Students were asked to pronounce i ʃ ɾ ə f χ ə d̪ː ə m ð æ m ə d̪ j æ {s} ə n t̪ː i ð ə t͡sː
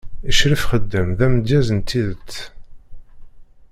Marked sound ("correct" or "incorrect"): incorrect